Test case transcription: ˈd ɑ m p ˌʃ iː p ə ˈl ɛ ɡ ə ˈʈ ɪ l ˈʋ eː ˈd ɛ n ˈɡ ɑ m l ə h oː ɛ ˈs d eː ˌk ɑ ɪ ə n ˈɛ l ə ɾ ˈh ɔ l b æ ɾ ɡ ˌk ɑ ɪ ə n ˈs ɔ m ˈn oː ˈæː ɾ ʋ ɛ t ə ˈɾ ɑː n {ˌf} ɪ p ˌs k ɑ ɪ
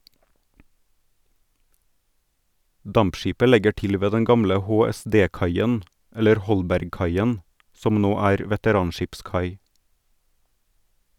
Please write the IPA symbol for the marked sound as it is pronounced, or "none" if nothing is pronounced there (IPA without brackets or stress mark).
ʃ